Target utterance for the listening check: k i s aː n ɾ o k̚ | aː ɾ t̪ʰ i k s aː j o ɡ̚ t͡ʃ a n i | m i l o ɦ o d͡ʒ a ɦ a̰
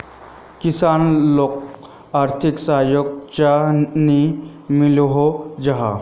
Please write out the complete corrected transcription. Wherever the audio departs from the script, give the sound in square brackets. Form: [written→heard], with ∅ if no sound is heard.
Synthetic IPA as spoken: k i s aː n [ɾ→l] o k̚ | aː ɾ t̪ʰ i k s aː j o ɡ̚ t͡ʃ a n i | m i l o ɦ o d͡ʒ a ɦ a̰